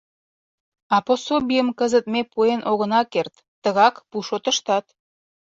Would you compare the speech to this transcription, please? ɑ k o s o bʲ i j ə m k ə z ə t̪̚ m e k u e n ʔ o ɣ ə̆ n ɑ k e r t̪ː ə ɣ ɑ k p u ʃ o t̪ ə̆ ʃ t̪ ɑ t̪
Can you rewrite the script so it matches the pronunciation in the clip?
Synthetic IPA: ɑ p o s o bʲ i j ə m k ə z ə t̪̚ m e p u e n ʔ o ɣ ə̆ n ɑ k e r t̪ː ə ɣ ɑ k p u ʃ o t̪ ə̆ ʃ t̪ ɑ t̪